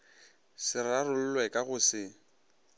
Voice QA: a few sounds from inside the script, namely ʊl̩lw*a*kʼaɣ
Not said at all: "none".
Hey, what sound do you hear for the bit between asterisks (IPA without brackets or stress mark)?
ɛ